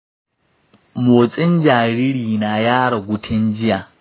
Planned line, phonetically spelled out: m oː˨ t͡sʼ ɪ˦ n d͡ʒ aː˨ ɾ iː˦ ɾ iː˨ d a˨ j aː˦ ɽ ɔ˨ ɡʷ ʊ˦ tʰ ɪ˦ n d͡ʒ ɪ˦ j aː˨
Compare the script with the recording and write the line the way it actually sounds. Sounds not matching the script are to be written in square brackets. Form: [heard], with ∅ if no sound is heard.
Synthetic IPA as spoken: m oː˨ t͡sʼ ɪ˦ n d͡ʒ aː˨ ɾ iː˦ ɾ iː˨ [n] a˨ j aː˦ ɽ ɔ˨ ɡʷ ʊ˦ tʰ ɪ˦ n d͡ʒ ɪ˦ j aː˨

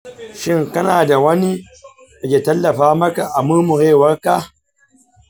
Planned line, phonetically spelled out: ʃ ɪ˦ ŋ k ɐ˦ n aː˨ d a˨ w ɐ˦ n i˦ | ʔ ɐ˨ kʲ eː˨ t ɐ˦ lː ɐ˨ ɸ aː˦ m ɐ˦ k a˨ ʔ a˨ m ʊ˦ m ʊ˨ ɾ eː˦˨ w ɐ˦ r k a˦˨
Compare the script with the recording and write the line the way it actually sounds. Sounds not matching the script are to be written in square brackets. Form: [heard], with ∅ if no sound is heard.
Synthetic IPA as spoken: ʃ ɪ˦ ŋ k ɐ˦ n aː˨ d a˨ w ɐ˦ n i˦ | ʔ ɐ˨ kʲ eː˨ t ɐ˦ lː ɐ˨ ɸ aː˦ m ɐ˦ k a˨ ʔ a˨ m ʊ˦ m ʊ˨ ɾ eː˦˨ w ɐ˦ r k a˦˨

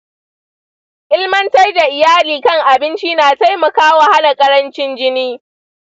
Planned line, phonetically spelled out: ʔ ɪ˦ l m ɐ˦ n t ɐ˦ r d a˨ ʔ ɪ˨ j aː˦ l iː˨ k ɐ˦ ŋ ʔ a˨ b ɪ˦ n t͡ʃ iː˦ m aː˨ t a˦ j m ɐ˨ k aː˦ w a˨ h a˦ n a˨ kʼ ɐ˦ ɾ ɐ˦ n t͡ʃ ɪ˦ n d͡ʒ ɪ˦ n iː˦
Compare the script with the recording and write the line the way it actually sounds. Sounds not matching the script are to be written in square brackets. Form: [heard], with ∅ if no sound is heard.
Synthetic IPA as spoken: ʔ ɪ˦ l m ɐ˦ n t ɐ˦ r d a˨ ʔ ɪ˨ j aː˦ l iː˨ k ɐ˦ ŋ ʔ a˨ b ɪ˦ n t͡ʃ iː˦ [n] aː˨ t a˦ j m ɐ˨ k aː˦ w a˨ h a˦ n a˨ kʼ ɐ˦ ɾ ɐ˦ n t͡ʃ ɪ˦ n d͡ʒ ɪ˦ n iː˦

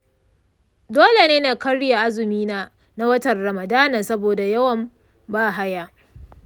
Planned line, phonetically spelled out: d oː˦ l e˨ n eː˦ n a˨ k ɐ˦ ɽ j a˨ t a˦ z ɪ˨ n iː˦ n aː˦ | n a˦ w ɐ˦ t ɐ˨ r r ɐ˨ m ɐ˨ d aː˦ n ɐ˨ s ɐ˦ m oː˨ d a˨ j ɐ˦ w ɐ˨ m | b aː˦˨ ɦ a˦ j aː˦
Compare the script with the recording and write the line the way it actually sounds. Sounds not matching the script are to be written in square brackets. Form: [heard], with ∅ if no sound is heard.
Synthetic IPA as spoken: d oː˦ l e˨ n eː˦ n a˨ k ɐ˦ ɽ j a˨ [ʔ] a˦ z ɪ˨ [m] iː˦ n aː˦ | n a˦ w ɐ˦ t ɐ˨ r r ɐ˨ m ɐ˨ d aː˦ n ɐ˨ s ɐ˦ [b] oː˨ d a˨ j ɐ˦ w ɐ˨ m | b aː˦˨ ɦ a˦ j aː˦

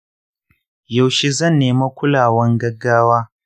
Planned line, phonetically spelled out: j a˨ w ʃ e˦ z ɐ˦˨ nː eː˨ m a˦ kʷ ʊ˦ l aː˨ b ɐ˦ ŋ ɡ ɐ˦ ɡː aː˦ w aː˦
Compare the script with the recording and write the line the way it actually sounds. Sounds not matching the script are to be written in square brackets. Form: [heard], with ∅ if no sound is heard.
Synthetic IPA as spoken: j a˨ w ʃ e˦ z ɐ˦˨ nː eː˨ m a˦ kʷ ʊ˦ l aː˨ [w] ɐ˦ ŋ ɡ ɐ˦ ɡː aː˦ w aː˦

